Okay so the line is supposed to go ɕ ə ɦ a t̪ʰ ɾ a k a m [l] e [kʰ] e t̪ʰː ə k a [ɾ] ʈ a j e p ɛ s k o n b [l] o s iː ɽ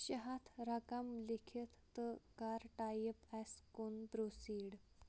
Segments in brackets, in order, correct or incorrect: correct, correct, correct, incorrect

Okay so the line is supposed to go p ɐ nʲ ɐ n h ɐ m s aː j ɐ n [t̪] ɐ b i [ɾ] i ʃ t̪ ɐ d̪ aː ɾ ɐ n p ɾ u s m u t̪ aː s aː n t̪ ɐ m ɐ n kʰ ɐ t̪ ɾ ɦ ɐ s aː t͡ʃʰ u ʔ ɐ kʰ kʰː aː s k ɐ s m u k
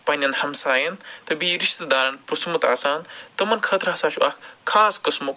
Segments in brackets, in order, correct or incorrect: correct, correct

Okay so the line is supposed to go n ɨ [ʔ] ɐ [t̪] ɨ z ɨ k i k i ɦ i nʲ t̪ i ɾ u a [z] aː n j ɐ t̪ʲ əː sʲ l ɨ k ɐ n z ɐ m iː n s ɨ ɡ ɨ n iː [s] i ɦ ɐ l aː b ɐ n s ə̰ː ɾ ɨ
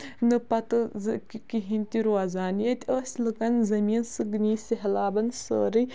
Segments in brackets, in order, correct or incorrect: incorrect, correct, correct, correct

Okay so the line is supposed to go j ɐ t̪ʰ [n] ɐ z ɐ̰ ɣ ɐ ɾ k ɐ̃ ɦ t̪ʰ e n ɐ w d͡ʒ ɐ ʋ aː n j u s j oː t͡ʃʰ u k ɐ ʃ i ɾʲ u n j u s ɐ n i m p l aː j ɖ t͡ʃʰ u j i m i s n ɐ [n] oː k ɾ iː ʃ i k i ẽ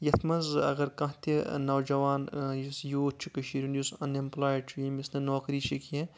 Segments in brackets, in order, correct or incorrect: incorrect, correct

